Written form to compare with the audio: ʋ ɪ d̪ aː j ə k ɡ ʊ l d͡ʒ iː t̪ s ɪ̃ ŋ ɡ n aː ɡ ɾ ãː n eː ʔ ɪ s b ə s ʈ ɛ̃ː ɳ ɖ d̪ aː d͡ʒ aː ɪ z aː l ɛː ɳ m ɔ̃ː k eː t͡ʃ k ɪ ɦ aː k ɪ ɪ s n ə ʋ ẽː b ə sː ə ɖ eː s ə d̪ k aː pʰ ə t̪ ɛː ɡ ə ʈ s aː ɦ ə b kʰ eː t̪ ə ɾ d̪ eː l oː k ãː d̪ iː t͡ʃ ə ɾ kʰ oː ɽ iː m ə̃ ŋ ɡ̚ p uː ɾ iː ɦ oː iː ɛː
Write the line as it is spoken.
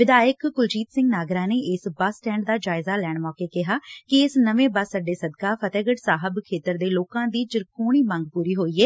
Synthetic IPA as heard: ʋ ɪ d̪ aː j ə k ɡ ʊ l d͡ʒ iː t̪ s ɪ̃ ŋ ɡ n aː ɡ ɾ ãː n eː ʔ ɪ s b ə s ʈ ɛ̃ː ɳ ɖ d̪ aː d͡ʒ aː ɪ z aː l ɛː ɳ m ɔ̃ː k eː k ɪ ɦ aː k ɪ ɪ s n ə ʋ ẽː b ə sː ə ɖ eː s ə d̪ k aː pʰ ə t̪ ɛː ɡ ə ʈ s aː ɦ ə b kʰ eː t̪ ə ɾ d̪ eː l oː k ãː d̪ iː t͡ʃ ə ɾ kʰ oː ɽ iː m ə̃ ŋ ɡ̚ p uː ɾ iː ɦ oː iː ɛː

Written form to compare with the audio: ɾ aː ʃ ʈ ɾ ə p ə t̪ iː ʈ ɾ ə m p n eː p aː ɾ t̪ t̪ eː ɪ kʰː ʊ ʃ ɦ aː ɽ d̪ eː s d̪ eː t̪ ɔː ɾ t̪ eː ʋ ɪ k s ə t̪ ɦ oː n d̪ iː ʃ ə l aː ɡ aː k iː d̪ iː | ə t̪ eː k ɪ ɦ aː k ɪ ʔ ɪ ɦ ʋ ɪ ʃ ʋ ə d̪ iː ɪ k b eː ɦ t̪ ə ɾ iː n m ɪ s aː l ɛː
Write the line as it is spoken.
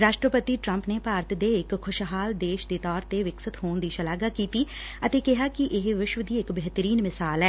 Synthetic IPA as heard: ɾ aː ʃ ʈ ɾ ə p ə t̪ iː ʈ ɾ ə m p n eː p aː ɾ t̪ d̪ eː ɪ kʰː ʊ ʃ ɦ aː l d̪ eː ʃ d̪ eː t̪ ɔː ɾ t̪ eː ʋ ɪ k s ə t̪ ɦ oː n d̪ iː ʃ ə l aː ɡ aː k iː t̪ iː | ə t̪ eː k ɪ ɦ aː k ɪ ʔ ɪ ɦ ʋ ɪ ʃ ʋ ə d̪ iː ɪ k b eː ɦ t̪ ə ɾ iː n m ɪ s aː l ɛː

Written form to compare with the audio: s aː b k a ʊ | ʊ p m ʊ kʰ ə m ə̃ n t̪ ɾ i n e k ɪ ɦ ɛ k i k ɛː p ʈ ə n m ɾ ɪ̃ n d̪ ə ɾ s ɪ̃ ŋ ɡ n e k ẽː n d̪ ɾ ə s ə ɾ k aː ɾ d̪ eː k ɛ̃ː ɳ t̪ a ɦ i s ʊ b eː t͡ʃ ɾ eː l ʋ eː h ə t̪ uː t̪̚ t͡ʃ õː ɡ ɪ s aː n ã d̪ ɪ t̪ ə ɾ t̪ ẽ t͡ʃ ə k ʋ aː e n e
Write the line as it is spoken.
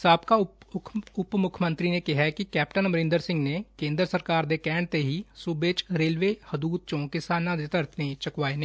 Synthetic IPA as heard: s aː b k a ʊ | ʊ p m ʊ kʰ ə m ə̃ n t̪ ɾ i n e k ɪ ɦ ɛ k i k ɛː p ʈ ə n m ɾ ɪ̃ n d̪ ə ɾ s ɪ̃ ŋ ɡ n e k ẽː n d̪ ɾ ə s ə ɾ k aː ɾ d̪ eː k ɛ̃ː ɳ t̪ e ɦ i s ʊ b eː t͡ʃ ɾ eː l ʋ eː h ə d̪ uː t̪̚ t͡ʃ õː k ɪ s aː n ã d̪ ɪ t̪ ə ɾ t̪ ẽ t͡ʃ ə k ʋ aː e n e

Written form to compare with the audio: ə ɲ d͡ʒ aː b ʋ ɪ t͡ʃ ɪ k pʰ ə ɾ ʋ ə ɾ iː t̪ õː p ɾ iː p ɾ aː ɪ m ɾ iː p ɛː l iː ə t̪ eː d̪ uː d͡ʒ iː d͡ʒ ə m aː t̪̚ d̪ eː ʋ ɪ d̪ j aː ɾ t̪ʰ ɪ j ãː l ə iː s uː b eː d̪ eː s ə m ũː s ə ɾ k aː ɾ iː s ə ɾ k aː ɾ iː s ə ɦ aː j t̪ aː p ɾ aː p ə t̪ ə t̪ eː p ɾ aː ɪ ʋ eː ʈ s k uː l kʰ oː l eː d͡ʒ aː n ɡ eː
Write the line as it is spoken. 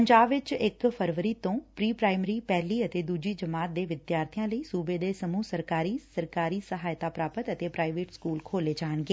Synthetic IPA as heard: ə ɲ d͡ʒ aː b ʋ ɪ t͡ʃ ɪ k pʰ ə ɾ ʋ ə ɾ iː t̪ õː p ɾ iː p ɾ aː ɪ m ɾ iː p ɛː l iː ə t̪ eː d̪ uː d͡ʒ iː d͡ʒ ə m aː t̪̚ d̪ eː ʋ ɪ d̪ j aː ɾ t̪ʰ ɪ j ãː l ə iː s uː b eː d̪ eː s ə m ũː s ə ɾ k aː ɾ iː s ə ɾ k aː ɾ iː s ə ɦ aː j t̪ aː p ɾ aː p ə t̪ ə t̪ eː p ɾ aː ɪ ʋ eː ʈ s k uː l kʰ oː l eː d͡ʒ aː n ɡ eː

